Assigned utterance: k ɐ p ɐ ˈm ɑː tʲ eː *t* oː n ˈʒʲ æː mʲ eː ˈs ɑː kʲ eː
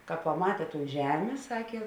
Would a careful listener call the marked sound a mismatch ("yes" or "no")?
no